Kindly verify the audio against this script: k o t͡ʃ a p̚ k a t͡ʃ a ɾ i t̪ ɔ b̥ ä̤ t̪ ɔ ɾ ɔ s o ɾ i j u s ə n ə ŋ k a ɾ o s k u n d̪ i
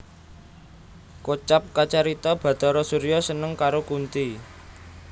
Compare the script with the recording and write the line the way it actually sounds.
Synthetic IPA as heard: k o t͡ʃ a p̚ k a t͡ʃ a ɾ i t̪ ɔ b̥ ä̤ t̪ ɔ ɾ ɔ s u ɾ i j ɔ s ə n ə ŋ k a ɾ o k u n t̪ i